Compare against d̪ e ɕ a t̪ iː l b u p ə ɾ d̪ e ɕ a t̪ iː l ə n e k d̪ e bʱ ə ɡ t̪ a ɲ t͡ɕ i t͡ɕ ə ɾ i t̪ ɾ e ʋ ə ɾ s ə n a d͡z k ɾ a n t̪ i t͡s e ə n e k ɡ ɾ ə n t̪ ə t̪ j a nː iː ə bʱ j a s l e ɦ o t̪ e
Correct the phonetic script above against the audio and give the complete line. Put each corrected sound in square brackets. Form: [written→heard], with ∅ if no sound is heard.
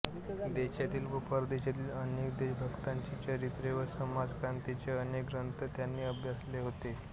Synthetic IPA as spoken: d̪ e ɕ a t̪ iː l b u p ə ɾ d̪ e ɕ a t̪ iː l ə n e k d̪ e bʱ ə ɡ t̪ a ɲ t͡ɕ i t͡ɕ ə ɾ i t̪ ɾ e ʋ ə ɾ s ə [n→m] a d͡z k ɾ a n t̪ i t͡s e ə n e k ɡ ɾ ə n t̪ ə t̪ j a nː iː ə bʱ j a s l e ɦ o t̪ e